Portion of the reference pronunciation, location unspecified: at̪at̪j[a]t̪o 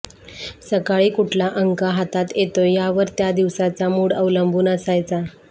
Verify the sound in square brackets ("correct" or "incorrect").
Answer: incorrect